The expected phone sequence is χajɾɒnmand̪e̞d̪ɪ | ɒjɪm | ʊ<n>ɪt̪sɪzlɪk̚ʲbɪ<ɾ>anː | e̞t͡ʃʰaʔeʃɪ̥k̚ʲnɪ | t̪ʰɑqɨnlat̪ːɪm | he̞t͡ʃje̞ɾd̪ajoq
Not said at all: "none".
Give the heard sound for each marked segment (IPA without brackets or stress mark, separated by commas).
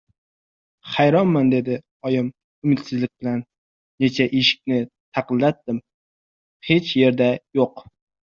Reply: m, l